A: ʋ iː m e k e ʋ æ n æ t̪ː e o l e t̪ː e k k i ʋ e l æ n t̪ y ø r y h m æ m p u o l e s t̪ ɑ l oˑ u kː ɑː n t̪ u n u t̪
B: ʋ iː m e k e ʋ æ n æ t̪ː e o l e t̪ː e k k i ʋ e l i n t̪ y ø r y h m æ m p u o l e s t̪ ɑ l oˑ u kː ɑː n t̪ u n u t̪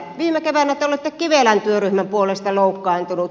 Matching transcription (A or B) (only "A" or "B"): A